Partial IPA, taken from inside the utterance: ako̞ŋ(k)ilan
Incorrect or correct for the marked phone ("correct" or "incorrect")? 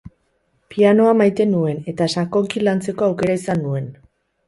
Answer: correct